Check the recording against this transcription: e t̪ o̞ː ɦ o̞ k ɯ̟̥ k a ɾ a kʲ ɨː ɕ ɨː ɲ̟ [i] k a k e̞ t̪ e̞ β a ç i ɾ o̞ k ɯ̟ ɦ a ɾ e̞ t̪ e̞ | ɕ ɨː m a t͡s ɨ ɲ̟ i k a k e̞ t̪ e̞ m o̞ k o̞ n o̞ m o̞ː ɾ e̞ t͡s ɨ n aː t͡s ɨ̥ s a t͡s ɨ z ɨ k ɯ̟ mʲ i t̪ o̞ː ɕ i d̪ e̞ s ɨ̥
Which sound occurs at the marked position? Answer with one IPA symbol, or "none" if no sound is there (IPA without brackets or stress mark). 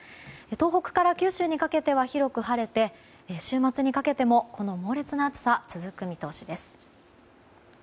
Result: i